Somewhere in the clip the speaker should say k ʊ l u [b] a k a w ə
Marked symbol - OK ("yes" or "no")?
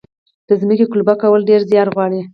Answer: yes